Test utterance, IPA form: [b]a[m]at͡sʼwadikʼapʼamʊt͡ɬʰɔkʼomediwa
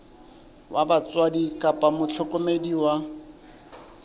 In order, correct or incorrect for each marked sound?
incorrect: w, incorrect: b

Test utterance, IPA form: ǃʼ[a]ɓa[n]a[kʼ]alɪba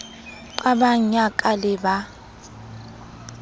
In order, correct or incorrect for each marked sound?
correct, incorrect: ɲ, correct

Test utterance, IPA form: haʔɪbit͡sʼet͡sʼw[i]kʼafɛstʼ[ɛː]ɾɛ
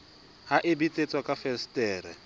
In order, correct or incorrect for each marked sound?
incorrect: a, correct

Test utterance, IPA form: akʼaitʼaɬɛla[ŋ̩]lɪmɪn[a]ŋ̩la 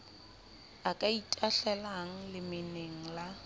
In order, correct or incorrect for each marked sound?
correct, incorrect: e

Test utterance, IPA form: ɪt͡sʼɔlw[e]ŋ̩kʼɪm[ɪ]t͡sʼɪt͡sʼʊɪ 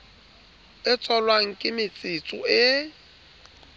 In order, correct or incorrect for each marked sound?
incorrect: a, correct

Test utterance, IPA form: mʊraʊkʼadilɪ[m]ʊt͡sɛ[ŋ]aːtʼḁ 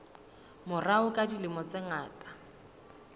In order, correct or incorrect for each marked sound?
correct, correct

